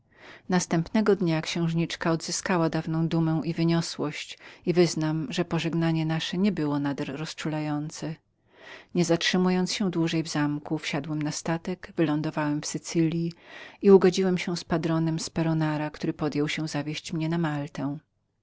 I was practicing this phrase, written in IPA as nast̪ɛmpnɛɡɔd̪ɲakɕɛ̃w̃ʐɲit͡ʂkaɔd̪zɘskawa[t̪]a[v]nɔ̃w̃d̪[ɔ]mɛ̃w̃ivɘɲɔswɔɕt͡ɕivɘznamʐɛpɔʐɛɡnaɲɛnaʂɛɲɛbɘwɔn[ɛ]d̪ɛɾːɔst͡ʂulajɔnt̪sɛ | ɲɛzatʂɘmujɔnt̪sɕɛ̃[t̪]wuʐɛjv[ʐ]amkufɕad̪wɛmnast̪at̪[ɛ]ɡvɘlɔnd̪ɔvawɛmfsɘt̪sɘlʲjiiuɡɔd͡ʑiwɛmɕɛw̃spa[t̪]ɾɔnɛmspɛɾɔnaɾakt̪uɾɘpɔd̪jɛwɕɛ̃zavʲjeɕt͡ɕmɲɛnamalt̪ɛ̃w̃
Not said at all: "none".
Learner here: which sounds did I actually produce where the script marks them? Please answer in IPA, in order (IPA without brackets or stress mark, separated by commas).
d̪, v, u, a, d̪, z, ɛ, d̪